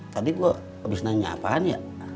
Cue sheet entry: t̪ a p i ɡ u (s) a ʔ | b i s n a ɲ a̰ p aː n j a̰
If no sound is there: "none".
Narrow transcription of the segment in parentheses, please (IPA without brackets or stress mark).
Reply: none